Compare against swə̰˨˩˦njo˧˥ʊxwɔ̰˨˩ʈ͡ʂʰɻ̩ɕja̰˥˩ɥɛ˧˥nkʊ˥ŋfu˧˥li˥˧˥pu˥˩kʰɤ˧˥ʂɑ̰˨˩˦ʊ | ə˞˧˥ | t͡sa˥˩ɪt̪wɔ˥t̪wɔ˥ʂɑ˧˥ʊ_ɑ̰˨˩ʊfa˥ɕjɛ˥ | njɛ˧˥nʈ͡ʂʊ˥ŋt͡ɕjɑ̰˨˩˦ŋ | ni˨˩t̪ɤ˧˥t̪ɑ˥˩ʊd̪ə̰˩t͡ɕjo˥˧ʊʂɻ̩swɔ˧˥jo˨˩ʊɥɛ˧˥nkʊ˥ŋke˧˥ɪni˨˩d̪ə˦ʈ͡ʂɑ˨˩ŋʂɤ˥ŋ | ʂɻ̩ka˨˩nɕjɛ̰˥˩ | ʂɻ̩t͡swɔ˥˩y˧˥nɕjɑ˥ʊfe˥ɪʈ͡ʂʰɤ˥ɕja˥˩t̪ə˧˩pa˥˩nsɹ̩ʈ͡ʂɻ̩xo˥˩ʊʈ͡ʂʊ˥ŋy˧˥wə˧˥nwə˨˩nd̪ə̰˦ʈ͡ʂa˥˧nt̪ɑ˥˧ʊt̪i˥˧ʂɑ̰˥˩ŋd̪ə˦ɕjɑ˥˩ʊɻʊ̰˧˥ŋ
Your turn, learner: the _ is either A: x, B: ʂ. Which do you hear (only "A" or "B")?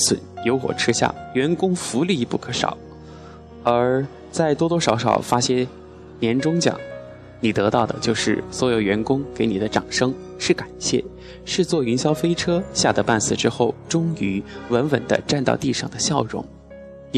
B